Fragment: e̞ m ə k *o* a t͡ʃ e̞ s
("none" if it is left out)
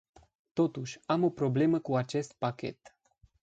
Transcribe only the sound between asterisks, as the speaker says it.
u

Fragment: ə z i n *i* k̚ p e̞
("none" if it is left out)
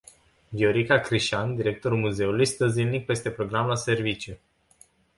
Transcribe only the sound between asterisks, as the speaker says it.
i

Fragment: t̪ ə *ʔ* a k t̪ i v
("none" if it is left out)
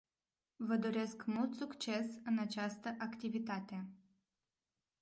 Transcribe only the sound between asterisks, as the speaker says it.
ʔ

